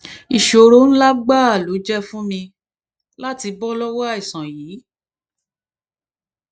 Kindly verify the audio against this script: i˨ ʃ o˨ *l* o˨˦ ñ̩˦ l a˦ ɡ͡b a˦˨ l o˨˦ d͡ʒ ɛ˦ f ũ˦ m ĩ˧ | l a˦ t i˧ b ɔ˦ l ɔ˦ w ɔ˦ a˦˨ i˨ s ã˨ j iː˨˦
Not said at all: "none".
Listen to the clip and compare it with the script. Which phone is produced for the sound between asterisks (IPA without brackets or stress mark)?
ɾ